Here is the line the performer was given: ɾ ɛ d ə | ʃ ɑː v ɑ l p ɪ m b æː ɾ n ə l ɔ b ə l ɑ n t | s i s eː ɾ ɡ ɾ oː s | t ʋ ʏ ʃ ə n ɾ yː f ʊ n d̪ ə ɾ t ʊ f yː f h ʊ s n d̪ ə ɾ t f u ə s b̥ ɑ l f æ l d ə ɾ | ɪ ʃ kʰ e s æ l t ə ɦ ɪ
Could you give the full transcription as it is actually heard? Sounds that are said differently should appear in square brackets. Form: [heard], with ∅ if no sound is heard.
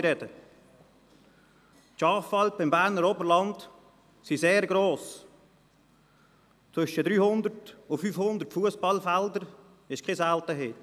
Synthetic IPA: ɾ ɛ d ə | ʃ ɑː [f] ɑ l p ɪ m b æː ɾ n ə [ɾ] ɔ b ə l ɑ n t | s i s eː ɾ ɡ ɾ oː s | [t͡s] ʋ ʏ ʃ ə [d] ɾ yː [h] ʊ n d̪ ə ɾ t ʊ f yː f h ʊ [∅] n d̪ ə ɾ t f u ə s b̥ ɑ l f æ l d ə ɾ | ɪ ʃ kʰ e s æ l t ə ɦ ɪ